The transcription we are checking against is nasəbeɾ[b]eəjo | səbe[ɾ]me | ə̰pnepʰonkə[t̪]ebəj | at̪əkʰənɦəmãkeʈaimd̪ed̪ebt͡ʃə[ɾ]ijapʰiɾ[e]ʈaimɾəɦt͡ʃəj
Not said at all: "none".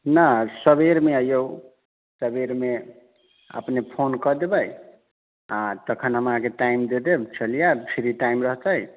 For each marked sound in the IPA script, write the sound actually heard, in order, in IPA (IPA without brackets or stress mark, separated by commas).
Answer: m, ɾ, d̪, l, i